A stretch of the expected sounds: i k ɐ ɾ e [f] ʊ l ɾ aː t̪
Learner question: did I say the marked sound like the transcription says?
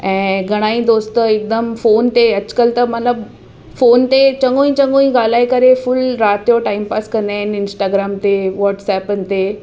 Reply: yes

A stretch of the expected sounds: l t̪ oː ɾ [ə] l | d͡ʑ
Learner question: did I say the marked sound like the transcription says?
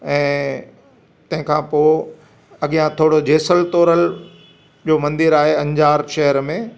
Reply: yes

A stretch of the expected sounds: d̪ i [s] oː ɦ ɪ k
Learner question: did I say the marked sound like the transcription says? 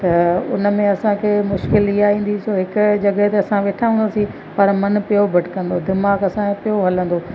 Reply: yes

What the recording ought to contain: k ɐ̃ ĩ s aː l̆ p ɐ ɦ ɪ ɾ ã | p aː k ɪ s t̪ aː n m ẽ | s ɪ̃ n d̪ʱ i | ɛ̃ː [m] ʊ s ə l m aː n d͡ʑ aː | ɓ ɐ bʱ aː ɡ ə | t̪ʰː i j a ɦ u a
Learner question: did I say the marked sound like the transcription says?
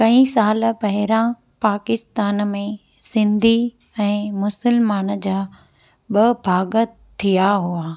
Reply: yes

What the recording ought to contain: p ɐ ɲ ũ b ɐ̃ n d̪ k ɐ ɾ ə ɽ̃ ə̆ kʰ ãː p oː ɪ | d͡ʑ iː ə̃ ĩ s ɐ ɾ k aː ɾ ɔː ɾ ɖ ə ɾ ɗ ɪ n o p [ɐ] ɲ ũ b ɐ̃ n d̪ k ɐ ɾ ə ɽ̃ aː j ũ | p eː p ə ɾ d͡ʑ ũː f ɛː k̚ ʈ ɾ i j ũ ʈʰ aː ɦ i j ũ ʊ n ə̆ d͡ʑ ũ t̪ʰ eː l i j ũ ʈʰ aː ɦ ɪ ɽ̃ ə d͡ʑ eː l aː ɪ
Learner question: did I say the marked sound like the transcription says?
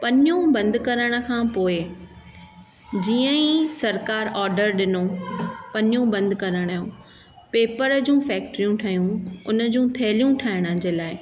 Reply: yes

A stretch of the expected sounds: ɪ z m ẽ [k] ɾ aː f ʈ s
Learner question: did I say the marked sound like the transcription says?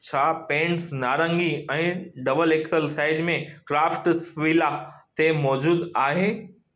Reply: yes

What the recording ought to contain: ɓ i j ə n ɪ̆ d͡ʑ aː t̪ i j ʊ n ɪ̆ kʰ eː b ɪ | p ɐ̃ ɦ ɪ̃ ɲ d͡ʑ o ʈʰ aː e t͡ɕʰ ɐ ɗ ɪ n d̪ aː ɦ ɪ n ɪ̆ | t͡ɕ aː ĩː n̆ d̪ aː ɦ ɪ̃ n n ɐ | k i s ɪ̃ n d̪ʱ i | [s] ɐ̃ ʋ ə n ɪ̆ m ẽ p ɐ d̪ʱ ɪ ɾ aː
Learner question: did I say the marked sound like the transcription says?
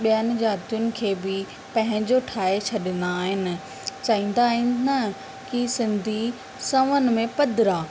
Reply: yes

